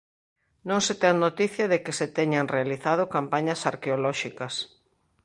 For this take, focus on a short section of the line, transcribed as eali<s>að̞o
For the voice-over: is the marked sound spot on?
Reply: no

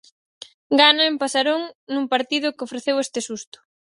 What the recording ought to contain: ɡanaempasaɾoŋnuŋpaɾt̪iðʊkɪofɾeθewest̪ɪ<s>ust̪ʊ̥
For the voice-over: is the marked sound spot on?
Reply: yes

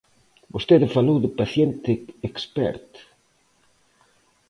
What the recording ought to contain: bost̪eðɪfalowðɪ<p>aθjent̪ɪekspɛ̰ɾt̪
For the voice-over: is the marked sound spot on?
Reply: yes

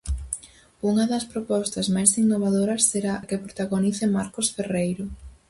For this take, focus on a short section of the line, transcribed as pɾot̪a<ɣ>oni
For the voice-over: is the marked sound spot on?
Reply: yes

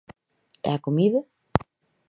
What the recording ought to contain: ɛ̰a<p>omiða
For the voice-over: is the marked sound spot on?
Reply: no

